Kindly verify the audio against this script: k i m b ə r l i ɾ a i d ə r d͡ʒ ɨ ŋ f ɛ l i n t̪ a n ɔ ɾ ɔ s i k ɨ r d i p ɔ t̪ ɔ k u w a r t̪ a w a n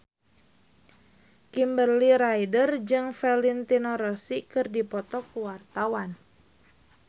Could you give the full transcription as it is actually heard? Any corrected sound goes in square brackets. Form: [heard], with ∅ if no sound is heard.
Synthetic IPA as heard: k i m b ə r l i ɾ a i d ə r d͡ʒ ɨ ŋ f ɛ l i n t̪ [i] n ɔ ɾ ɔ s i k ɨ r d i p ɔ t̪ ɔ k u w a r t̪ a w a n